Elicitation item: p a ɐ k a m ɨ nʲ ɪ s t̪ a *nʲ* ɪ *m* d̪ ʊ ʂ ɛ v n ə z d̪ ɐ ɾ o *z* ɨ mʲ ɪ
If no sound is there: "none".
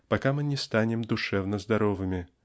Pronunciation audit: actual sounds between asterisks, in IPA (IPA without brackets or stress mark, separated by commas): nʲ, m, v